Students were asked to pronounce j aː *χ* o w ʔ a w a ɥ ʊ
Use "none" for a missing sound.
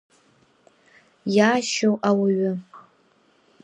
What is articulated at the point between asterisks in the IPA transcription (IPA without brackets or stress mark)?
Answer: ʃ